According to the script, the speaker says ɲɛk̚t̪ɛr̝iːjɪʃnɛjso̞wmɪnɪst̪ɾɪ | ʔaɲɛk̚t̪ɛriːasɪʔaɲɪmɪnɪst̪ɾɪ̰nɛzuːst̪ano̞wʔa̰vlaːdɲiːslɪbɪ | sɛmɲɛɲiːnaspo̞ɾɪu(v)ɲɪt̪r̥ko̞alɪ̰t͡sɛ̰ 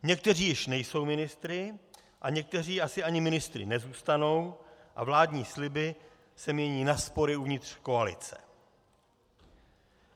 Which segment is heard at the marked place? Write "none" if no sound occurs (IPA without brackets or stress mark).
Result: v